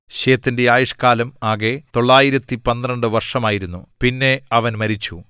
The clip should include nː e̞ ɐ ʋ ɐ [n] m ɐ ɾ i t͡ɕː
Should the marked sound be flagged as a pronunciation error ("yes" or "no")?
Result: no